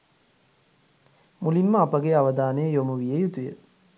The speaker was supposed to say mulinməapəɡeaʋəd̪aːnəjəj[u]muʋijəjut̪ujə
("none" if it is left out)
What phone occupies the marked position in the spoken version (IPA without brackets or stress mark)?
o